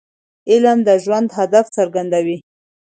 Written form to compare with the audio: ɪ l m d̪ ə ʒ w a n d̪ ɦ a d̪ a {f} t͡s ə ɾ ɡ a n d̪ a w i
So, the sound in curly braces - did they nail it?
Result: yes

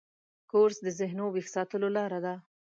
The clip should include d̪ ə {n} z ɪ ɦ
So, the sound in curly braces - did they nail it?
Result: no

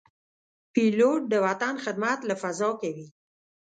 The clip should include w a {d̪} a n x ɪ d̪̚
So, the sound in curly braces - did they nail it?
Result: no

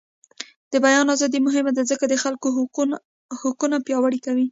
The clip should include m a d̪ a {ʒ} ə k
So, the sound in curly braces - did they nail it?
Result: no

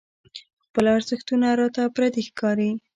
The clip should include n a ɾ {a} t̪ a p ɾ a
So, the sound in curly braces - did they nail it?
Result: no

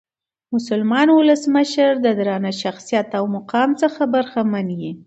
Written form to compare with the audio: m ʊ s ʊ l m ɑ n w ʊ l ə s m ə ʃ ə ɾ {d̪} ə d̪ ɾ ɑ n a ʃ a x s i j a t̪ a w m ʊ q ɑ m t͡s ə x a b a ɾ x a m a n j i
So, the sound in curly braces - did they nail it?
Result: yes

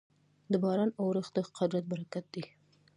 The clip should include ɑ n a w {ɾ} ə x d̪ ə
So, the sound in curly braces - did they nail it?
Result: yes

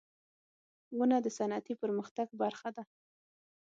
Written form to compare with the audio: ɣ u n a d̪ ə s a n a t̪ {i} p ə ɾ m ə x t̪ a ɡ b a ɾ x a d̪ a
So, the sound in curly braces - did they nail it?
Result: yes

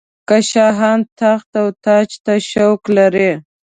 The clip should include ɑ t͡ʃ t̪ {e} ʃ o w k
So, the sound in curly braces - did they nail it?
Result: no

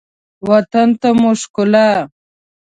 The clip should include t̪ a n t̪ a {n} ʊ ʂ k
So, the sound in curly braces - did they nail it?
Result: no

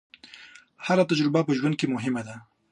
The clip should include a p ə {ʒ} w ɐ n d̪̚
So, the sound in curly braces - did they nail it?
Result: yes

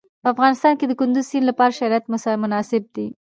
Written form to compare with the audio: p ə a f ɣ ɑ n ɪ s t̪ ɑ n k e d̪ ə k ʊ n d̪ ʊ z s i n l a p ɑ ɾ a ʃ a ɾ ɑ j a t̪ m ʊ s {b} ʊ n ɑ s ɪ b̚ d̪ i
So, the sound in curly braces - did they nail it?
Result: no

